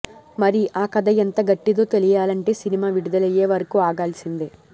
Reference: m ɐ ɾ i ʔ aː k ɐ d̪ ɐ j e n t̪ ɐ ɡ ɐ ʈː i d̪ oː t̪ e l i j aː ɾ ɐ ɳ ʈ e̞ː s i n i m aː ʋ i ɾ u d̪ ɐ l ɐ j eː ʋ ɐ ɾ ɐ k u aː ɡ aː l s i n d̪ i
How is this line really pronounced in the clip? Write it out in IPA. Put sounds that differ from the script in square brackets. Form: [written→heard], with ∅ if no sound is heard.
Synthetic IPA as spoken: m ɐ ɾ i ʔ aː k ɐ d̪ ɐ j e n t̪ ɐ ɡ ɐ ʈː i d̪ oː t̪ e l i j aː [ɾ→l] ɐ ɳ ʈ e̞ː s i n i m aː ʋ i [ɾ→ɽ] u d̪ ɐ l ɐ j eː ʋ ɐ ɾ ɐ k u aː ɡ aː l s i n d̪ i